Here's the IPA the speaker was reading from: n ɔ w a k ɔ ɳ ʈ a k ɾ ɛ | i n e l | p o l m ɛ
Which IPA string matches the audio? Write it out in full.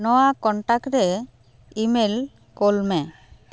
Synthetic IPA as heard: n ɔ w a k ɔ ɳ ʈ a k ɾ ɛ | i m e l | k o l m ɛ